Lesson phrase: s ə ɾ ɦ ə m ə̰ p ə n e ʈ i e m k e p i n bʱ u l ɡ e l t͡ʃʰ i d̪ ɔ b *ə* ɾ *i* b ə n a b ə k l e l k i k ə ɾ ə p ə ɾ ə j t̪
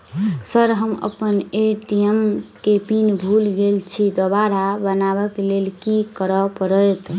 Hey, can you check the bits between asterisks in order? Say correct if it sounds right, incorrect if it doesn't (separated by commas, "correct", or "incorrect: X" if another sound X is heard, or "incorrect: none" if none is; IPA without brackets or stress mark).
incorrect: a, incorrect: a